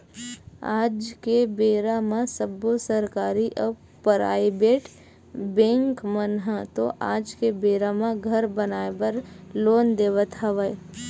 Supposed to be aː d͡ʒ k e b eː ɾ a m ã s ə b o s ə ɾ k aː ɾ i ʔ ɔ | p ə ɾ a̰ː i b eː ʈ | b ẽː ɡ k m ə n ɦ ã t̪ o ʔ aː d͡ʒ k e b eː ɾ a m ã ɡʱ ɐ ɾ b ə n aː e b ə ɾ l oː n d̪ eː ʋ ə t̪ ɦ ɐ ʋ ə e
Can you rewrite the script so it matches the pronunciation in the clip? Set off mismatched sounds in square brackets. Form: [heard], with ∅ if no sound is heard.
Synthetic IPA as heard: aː d͡ʒ k e b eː ɾ a m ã s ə b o s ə ɾ k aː ɾ i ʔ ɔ | p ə ɾ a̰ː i b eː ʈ | b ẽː [ŋ] k m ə n ɦ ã t̪ o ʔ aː d͡ʒ k e b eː ɾ a m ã ɡʱ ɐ ɾ b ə n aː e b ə ɾ l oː n d̪ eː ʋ ə t̪ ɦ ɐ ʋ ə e